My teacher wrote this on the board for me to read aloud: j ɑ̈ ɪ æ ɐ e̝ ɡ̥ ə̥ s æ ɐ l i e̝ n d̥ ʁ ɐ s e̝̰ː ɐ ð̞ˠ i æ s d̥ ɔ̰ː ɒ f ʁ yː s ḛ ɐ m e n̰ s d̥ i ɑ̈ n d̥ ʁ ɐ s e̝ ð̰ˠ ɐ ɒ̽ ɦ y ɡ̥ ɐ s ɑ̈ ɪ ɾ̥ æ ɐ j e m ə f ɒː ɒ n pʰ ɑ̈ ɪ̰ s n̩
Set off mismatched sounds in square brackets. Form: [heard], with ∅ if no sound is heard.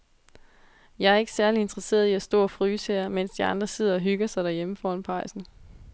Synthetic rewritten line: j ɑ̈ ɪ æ ɐ e̝ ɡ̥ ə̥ s æ ɐ l i e̝ n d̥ ʁ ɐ s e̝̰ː ɐ ð̞ˠ i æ s d̥ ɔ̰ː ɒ f ʁ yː s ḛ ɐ m e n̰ s d̥ i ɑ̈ n d̥ ʁ ɐ s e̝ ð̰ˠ ɐ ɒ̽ ɦ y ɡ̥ ɐ s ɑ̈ ɪ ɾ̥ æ ɐ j e m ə f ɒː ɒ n pʰ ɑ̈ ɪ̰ s n̩